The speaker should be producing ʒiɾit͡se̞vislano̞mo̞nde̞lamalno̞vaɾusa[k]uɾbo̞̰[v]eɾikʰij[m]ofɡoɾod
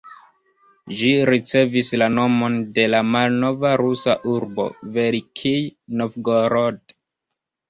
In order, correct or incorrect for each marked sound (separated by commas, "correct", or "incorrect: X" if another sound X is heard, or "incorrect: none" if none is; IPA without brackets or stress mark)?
incorrect: ʔ, correct, incorrect: n